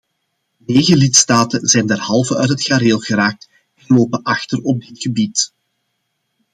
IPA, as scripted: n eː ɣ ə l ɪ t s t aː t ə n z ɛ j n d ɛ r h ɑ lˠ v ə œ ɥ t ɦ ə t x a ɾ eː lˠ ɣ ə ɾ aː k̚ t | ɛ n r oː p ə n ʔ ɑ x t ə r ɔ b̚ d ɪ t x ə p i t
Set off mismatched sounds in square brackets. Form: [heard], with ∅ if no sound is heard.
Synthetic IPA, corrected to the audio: n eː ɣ ə l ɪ t s t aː t ə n z ɛ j n d ɛ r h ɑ lˠ v ə œ ɥ t ɦ ə t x a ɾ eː lˠ ɣ ə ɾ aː k̚ t | ɛ n [l] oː p ə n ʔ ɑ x t ə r ɔ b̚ d ɪ t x ə [b] i t